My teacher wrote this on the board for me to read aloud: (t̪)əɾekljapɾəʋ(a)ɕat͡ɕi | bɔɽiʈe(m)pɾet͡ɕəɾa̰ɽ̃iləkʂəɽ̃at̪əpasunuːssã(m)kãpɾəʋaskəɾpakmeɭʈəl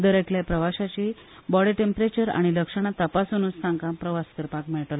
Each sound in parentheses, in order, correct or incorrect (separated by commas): incorrect, correct, correct, incorrect